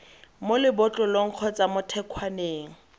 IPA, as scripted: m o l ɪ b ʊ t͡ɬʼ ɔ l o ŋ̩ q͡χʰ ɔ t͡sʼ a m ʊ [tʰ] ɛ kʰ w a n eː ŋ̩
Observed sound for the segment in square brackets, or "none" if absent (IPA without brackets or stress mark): tʰ